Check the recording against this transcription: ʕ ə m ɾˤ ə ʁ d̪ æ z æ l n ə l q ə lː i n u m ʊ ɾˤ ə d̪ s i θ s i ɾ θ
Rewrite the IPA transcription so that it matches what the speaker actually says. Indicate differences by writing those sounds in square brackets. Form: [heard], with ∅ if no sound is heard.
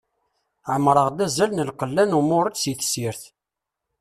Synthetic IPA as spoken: ʕ ə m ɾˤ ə ʁ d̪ æ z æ l n ə l q ə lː [æ] n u m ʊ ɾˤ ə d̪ s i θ s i ɾ θ

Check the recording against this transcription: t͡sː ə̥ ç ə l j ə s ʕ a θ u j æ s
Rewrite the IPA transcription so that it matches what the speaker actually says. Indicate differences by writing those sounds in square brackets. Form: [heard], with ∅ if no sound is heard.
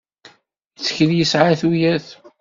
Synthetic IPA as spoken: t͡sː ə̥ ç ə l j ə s ʕ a θ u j æ [θ]

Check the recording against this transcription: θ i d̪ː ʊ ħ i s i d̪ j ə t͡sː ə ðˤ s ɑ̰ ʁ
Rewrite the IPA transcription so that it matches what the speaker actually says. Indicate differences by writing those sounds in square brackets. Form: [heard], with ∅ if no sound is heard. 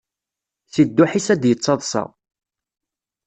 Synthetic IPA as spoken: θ i d̪ː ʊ ħ i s [æ] d̪ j ə t͡sː [ɑ] ðˤ s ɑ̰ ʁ

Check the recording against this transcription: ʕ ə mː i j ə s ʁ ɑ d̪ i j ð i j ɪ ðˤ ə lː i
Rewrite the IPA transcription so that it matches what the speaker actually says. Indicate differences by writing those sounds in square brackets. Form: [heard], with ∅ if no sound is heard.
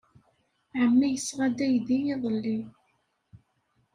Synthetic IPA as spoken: ʕ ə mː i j ə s ʁ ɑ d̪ [æ] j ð i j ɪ ðˤ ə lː i

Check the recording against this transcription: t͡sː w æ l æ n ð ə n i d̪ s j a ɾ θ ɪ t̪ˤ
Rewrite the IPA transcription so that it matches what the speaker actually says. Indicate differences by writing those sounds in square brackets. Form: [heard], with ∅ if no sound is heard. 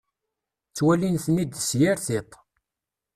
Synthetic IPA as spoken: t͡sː w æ l [i] n [θ] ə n i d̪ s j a ɾ θ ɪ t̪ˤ

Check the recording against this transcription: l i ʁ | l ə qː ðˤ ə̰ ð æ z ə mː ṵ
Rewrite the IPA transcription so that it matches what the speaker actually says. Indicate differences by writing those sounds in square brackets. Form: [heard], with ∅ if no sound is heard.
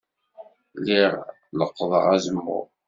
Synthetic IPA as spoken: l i ʁ | l ə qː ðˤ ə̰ [ʁ] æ z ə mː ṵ

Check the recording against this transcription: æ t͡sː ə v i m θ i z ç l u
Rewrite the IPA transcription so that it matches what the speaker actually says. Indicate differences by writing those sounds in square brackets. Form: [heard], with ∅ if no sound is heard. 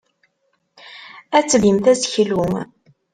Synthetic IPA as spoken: æ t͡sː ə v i m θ [æ] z ç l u

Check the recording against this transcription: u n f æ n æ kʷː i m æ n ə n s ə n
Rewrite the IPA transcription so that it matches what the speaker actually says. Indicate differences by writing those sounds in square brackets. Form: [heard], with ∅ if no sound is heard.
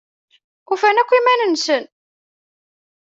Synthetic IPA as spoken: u [∅] f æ n æ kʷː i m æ n ə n s ə n

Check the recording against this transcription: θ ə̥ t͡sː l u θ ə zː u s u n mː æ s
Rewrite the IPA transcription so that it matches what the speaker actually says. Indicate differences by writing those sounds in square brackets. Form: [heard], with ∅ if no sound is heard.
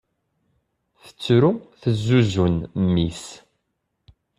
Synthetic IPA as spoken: θ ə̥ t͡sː [ɾ] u θ ə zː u [z] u n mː [i] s

